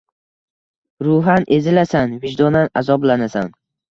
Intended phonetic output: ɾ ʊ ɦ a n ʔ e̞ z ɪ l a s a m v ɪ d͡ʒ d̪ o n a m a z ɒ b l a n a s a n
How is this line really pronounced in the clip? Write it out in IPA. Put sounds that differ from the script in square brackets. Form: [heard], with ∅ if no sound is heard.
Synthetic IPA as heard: ɾ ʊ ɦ a n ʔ e̞ z ɪ l a s a [n] v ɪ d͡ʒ d̪ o n a [n] a z ɒ b l a n a s a n